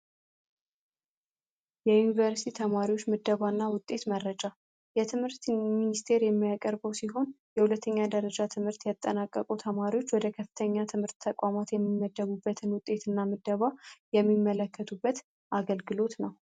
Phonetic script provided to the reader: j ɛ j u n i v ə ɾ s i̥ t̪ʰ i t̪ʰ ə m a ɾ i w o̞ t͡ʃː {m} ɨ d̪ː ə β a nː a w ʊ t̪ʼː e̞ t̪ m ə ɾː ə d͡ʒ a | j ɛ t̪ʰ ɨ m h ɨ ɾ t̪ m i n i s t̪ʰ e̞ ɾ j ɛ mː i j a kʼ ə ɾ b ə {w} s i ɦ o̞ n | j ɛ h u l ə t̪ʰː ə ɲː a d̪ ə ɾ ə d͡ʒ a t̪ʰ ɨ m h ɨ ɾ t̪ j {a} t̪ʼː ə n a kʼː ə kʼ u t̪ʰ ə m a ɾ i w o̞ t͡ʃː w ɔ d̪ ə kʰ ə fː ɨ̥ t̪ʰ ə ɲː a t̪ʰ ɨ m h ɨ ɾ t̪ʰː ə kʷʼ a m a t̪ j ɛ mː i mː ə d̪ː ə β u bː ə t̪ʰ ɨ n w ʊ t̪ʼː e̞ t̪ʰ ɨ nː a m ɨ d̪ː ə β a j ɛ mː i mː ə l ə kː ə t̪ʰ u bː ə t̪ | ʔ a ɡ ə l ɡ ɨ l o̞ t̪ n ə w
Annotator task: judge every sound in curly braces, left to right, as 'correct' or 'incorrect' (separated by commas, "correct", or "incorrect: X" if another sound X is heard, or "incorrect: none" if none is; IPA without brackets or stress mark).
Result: correct, correct, correct